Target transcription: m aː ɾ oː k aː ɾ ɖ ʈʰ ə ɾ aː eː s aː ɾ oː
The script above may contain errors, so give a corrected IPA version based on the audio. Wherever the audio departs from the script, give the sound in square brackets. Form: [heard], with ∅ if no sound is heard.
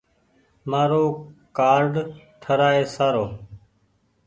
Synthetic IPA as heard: m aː ɾ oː k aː ɾ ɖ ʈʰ ə ɾ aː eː s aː ɾ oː